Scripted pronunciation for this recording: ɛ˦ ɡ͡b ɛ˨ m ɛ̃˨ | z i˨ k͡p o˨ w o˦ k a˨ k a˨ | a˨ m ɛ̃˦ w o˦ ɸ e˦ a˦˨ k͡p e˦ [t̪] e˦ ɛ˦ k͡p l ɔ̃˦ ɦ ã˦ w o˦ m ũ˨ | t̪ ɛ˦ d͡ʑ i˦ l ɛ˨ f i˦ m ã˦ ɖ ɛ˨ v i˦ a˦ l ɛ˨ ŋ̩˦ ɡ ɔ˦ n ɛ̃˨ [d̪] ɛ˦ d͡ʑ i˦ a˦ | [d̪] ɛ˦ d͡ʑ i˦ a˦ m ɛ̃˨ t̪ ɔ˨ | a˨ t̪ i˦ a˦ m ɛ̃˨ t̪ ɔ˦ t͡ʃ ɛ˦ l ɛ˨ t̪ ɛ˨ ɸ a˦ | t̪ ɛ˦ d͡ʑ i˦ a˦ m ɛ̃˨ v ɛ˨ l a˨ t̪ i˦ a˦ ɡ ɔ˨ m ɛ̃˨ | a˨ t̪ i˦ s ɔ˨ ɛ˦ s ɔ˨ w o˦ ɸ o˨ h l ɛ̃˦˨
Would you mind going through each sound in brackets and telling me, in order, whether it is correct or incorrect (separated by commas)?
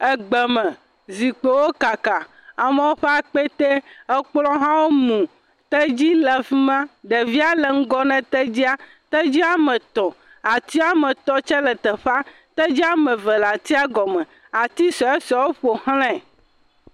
correct, incorrect, incorrect